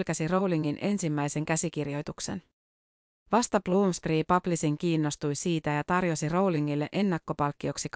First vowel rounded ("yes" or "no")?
no